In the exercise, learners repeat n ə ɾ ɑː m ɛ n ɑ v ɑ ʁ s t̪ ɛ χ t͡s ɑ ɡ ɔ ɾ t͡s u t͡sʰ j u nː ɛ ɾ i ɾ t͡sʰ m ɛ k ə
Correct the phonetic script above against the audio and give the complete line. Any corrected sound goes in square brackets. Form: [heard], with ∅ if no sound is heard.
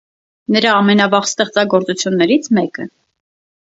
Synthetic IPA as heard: n ə ɾ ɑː m ɛ n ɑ v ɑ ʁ s t̪ ɛ χ t͡s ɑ ɡ ɔ ɾ t͡s u t͡sʰ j u nː ɛ ɾ i [∅] t͡sʰ m ɛ k ə